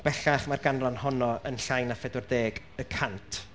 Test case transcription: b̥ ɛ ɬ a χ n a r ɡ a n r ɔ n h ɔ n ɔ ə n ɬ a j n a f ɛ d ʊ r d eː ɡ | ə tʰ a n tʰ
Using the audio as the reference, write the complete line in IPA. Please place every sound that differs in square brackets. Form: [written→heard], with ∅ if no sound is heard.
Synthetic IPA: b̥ ɛ ɬ a χ [n→m] a r ɡ a n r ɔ n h ɔ n ɔ ə n ɬ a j n a f ɛ d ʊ r d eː ɡ | ə [tʰ→kʰ] a n tʰ